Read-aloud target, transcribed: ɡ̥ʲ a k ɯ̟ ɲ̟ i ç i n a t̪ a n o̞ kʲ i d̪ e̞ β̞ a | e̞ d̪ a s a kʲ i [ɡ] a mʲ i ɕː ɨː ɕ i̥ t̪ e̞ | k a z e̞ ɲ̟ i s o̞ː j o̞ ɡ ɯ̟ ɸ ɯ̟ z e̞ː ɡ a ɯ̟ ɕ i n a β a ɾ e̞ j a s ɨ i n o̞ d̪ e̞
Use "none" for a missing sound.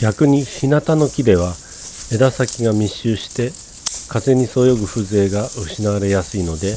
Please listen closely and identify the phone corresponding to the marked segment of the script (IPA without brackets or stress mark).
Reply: ɡ